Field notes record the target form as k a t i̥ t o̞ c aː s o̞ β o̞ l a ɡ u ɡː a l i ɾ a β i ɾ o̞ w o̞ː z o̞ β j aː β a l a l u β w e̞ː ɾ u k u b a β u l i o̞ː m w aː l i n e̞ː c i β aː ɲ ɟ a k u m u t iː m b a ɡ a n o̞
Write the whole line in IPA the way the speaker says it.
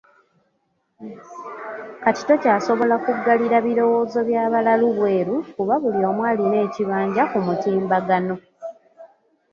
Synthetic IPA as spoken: k a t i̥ t o̞ c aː s o̞ β o̞ l a k u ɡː a l i ɾ a β i ɾ o̞ w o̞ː z o̞ β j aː β a l a l u β w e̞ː ɾ u k u β a β u l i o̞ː m w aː l i n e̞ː c i β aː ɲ ɟ a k u m u t iː m b a ɡ a n o̞